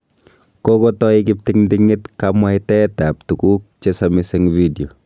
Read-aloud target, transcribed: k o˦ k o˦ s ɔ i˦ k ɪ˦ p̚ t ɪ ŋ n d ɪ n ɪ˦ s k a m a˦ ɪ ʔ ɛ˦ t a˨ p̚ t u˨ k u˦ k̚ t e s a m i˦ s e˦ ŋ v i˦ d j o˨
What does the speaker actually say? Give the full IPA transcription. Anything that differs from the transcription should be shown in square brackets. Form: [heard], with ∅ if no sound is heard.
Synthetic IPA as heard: k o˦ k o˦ [t] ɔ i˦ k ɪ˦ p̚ t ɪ ŋ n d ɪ [ŋ] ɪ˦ [t] k a m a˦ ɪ [t] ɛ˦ t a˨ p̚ t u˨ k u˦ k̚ [t͡ʃ] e s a m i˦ s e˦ ŋ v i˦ d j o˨